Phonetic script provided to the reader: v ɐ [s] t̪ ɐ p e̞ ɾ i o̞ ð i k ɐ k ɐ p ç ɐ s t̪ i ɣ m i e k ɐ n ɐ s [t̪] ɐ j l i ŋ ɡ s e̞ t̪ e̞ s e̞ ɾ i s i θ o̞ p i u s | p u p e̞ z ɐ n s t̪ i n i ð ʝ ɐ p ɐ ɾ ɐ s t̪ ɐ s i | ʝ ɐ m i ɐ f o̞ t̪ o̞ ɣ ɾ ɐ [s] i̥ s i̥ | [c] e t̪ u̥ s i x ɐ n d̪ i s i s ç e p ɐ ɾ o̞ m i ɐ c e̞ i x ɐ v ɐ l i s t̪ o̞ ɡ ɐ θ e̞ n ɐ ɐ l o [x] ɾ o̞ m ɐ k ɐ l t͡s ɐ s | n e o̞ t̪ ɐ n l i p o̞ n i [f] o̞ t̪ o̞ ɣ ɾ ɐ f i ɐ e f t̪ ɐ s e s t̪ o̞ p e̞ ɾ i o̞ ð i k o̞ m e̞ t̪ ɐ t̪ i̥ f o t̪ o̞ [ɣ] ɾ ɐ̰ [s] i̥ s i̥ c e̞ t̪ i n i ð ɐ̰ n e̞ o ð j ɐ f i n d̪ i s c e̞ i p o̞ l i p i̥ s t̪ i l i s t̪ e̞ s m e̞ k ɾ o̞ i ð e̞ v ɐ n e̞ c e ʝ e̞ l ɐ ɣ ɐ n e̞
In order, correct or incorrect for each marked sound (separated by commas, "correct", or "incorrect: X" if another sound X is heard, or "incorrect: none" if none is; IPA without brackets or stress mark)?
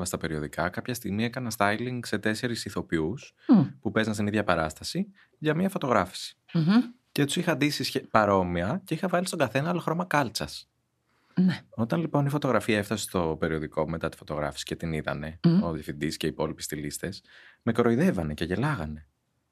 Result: correct, correct, incorrect: f, correct, correct, correct, correct, incorrect: f